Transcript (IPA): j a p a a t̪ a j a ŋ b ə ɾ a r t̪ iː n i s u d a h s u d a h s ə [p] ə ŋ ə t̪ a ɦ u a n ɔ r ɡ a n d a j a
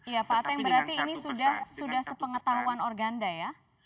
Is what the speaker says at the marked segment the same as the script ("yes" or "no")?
yes